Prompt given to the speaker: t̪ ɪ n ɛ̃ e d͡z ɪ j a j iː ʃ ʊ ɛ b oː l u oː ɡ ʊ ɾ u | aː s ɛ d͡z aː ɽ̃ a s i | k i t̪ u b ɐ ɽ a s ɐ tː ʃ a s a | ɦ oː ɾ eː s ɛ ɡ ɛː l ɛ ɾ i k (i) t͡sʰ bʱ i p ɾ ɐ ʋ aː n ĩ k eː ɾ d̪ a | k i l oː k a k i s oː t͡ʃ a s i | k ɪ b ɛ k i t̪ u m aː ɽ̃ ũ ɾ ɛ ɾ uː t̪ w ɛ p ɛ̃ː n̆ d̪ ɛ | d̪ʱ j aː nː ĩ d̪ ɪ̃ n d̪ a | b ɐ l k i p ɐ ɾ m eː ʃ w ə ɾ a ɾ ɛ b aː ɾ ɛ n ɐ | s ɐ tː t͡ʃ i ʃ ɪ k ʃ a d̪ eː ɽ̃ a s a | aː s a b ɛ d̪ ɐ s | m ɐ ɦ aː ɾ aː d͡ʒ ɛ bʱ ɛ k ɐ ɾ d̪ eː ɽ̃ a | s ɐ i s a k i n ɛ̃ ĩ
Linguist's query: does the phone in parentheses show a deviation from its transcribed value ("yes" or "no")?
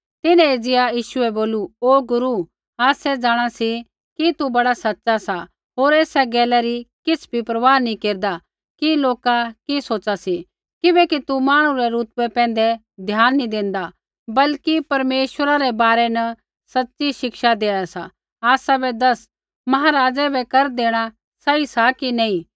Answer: yes